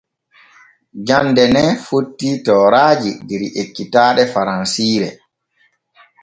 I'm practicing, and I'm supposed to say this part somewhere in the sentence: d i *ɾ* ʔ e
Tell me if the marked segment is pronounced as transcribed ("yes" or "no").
yes